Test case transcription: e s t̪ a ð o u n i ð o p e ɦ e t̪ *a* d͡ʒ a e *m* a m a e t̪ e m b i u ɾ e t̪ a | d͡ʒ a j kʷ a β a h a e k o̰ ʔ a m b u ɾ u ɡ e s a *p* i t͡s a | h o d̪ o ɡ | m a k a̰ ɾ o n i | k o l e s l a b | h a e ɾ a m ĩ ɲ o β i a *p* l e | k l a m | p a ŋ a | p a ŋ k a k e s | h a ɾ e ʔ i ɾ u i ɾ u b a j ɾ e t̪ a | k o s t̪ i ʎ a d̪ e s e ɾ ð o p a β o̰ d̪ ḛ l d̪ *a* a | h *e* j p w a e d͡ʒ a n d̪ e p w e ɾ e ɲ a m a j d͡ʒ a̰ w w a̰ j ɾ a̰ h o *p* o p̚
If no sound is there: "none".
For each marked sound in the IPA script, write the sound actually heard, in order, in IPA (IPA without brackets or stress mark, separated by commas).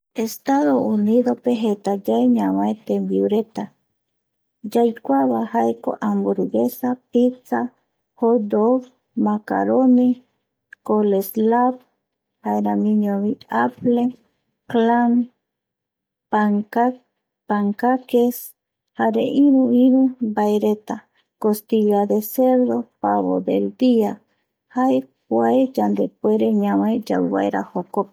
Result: a, ɲ, p, p, i, a, k